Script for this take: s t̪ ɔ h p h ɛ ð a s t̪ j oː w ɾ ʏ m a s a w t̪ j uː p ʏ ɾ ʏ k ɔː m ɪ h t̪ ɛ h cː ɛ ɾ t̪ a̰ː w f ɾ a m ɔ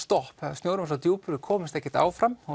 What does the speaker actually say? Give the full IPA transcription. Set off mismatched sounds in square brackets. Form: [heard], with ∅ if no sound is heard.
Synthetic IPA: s t̪ ɔ h p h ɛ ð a s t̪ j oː w ɾ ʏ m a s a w t̪ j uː p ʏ ɾ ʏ [kʰ] ɔː m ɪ [s] t̪ ɛ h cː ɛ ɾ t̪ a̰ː w f ɾ a m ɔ

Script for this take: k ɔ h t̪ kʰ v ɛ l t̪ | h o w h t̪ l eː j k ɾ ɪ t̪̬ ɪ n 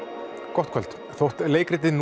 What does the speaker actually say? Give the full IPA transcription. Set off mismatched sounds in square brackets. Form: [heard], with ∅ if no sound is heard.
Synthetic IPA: k ɔ h t̪ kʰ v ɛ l t̪ | [θ] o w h t̪ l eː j k ɾ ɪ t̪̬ ɪ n

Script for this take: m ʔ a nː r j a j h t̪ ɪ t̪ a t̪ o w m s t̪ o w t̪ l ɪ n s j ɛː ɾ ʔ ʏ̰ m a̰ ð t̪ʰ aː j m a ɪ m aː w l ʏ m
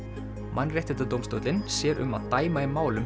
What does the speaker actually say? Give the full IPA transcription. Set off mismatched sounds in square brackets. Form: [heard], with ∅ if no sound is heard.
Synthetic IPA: m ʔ a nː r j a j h t̪ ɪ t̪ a t̪ o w m s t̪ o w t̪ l ɪ n s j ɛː ɾ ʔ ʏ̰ m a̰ ð [t̪] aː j m a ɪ m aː w l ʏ m

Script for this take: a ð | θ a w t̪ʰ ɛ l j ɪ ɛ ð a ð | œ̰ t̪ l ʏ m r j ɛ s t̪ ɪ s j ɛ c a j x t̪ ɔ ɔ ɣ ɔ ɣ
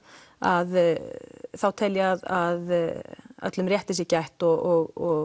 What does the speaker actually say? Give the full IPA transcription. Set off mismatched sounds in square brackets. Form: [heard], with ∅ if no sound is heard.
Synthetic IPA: a ð | θ a w t̪ʰ ɛ l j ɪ [a] ð a ð | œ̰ t̪ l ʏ m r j ɛ [h] t̪ ɪ s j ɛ c a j [h] t̪ ɔ ɔ ɣ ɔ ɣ

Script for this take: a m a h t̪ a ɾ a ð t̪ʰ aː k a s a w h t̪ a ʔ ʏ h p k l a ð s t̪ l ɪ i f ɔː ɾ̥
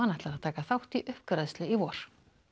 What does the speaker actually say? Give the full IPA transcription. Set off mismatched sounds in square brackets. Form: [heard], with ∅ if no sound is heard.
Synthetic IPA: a [n] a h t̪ a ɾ a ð t̪ʰ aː k a [θ] a w h t̪ [i] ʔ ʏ h p k [ɾ] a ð s t̪ l ɪ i [v] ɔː ɾ̥

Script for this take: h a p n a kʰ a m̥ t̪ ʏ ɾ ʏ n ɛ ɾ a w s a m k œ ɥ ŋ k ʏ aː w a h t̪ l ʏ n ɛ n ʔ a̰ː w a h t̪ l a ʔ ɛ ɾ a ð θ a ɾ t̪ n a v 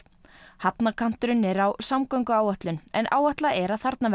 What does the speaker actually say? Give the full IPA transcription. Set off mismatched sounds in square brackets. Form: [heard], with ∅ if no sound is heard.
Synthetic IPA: h a p n a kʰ a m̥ t̪ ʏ ɾ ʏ n ɛ ɾ a w s a m k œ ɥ ŋ k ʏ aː w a h t̪ l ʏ n ɛ n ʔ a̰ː w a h t̪ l a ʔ ɛ ɾ a ð θ a ɾ t̪ n a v

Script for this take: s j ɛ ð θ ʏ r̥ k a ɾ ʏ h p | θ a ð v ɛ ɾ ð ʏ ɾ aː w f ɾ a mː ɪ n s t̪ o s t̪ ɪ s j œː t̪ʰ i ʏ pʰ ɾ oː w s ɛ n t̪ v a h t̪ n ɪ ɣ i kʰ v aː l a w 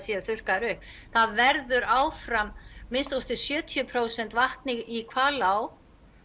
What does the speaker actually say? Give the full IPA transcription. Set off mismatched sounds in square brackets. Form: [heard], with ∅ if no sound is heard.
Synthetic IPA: s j ɛ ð θ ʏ r̥ k a ɾ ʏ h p | θ a ð v ɛ ɾ ð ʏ ɾ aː w f ɾ a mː ɪ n s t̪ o s t̪ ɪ s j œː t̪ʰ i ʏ pʰ ɾ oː w s ɛ n t̪ v a h t̪ n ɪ ɣ i kʰ v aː l a w

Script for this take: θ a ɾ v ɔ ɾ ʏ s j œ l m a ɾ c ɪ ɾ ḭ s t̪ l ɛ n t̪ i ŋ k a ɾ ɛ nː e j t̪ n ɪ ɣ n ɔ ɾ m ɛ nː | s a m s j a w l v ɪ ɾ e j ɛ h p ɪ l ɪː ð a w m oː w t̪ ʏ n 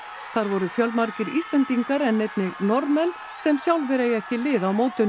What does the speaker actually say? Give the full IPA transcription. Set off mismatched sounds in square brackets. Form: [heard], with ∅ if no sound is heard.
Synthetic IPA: θ a ɾ v ɔ ɾ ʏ [f] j œ l m a ɾ c ɪ ɾ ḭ s t̪ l ɛ n t̪ i ŋ k a ɾ ɛ nː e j t̪ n ɪ ɣ n ɔ ɾ m ɛ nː | s [ɛ] m s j a w l v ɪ ɾ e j ɛ h [c] ɪ l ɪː ð a w m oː w t̪ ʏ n

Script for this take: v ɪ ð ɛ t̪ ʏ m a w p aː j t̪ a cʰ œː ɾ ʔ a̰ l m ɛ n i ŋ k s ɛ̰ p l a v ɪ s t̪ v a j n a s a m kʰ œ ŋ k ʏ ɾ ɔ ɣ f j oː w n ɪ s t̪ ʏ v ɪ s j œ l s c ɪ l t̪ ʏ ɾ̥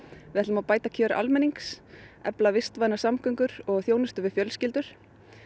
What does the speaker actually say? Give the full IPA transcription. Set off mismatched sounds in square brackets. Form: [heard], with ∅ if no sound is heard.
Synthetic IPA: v ɪ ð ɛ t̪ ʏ m a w p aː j t̪ a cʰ œː ɾ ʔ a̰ l m ɛ n i ŋ k s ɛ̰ p l a v ɪ s t̪ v a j n a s a m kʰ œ ŋ k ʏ ɾ ɔ ɣ [θ] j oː w n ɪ s t̪ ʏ v ɪ [f] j œ l s c ɪ l t̪ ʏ ɾ̥

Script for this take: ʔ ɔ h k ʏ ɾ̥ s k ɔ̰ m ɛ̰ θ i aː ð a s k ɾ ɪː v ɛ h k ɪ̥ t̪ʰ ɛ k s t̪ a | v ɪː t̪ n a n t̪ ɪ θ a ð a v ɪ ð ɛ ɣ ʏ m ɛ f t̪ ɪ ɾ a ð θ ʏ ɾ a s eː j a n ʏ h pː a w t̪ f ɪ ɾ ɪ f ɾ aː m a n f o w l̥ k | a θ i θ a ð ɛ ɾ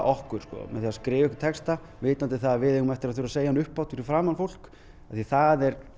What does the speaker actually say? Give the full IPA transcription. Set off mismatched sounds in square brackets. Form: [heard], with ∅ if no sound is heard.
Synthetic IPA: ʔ ɔ h k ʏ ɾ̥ s k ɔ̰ m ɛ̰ θ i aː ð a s k ɾ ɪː v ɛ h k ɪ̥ t̪ʰ ɛ k s t̪ a | v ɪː t̪ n a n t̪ ɪ θ a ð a v ɪ ð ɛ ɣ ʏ m ɛ f t̪ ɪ ɾ a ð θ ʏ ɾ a s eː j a n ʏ h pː a w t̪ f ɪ ɾ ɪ f ɾ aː m a n f o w l̥ k | a θ i θ a ð ɛ ɾ

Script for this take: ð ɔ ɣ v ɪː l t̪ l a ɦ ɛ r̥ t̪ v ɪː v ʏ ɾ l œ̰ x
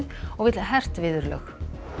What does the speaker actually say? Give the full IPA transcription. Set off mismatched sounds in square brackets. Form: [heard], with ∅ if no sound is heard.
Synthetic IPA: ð ɔ ɣ v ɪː [∅] t̪ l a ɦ ɛ r̥ t̪ v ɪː [ð] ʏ ɾ l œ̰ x

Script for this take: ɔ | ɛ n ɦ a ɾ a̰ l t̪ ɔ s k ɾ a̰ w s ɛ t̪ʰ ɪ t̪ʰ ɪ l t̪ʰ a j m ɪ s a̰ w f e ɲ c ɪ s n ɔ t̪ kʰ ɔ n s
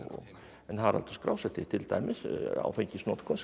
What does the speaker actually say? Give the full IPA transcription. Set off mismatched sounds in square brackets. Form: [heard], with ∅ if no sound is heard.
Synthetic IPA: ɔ | ɛ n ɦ a ɾ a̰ l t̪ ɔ s k ɾ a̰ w s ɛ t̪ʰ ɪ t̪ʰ ɪ l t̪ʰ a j m ɪ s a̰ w f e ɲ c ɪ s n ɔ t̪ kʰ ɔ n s

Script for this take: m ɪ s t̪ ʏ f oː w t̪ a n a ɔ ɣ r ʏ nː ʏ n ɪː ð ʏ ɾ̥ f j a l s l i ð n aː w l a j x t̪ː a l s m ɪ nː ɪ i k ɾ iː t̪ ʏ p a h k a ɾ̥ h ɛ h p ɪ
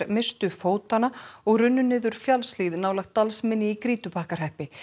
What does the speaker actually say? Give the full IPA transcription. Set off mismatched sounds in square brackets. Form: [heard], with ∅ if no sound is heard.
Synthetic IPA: m ɪ s t̪ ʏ f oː w t̪ a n a ɔ ɣ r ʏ nː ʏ n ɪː ð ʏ ɾ̥ f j a l s l i ð n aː w l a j x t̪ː a l s m ɪ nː ɪ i k ɾ iː t̪ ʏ p a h k a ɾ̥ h ɛ h p ɪ

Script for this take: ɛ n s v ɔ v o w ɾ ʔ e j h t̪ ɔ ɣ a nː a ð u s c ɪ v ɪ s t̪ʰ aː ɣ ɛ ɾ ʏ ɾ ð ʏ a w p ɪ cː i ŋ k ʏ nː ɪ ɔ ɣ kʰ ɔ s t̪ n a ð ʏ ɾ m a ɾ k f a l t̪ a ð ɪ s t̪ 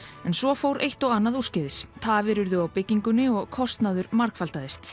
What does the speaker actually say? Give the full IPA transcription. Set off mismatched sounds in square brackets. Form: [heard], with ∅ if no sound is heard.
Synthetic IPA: ɛ n s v ɔ [f] o w ɾ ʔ e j h t̪ ɔ ɣ a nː a ð u s c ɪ [ð] ɪ s t̪ʰ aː [v] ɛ ɾ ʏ ɾ ð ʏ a w p ɪ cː i ŋ k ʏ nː ɪ ɔ ɣ kʰ ɔ s t̪ n a ð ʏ ɾ m a ɾ k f a l t̪ a ð ɪ s t̪

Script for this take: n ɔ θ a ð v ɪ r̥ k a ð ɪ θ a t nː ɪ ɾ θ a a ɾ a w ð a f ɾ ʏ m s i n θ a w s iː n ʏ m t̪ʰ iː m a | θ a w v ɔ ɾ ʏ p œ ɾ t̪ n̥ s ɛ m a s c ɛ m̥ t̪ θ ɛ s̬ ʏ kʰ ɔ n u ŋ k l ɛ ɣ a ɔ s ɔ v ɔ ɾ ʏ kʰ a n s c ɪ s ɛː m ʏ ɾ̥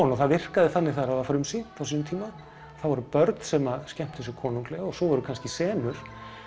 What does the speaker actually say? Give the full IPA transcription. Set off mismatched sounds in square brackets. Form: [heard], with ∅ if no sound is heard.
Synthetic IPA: n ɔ θ a ð v ɪ r̥ k a ð ɪ θ a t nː ɪ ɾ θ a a ɾ a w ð a f ɾ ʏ m s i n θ a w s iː n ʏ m t̪ʰ iː m a | θ a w v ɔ ɾ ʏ p œ ɾ t̪ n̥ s ɛ m a s c ɛ m̥ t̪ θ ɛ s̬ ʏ kʰ [ɔː] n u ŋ k l ɛ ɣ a ɔ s ɔ v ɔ ɾ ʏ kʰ a n s c ɪ s ɛː m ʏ ɾ̥

